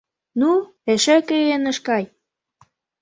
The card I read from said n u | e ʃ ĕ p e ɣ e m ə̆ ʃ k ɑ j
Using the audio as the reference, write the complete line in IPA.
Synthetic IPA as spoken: n u | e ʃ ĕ k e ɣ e n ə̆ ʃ k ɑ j